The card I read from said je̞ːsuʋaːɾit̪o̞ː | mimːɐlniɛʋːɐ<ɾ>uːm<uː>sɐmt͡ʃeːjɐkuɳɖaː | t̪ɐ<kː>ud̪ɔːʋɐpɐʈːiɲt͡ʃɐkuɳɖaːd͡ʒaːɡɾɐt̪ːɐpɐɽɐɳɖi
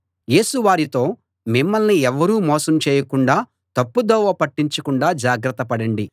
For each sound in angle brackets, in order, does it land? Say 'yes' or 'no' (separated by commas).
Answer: yes, no, no